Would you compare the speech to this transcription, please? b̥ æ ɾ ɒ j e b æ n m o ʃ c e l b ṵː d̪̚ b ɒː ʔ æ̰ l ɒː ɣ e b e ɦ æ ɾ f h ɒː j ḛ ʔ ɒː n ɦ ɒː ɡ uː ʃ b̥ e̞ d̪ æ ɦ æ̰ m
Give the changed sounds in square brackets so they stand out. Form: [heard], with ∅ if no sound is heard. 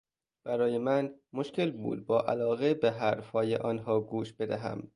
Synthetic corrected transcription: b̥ æ ɾ [ɒː] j e [m] æ n m o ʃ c e l b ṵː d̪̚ b ɒː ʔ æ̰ l ɒː ɣ e b e ɦ æ ɾ f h ɒː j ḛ ʔ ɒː n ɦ ɒː ɡ uː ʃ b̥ e̞ d̪ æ ɦ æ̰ m